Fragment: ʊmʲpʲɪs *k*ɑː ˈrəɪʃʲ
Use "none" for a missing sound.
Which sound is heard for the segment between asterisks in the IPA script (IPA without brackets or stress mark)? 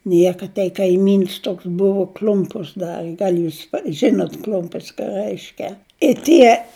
k